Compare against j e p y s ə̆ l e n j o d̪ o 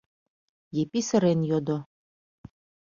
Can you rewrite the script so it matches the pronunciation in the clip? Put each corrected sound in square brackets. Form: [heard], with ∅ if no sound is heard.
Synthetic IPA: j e p [i] s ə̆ [ɾ] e n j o d̪ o